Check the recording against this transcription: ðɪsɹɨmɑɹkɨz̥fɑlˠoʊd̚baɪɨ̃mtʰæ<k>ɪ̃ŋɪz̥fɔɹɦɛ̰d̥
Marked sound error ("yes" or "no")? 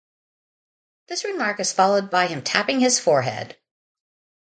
yes